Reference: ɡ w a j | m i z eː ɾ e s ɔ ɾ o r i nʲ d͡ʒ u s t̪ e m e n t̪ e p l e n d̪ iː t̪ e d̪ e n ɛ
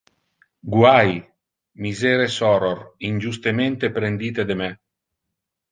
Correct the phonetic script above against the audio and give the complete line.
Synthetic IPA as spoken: ɡ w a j | m i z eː ɾ e s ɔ ɾ o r i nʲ d͡ʒ u s t̪ e m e n t̪ e p ɾ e n d̪ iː t̪ e d̪ e m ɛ